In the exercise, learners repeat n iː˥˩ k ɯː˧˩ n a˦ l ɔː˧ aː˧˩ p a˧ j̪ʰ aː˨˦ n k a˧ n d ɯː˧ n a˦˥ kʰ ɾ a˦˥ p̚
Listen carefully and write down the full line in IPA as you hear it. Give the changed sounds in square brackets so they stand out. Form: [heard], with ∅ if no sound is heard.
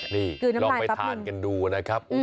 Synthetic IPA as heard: n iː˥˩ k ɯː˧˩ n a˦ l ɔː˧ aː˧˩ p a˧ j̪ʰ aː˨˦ n k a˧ n d [uː˧] n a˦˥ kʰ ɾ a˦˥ p̚